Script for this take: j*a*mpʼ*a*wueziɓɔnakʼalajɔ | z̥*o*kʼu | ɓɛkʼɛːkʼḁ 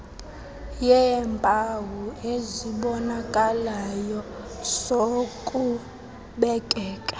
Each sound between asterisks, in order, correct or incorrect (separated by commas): incorrect, correct, correct